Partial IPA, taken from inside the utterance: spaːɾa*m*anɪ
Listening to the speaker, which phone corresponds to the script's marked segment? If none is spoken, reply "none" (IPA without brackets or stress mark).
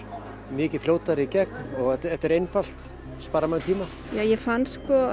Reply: m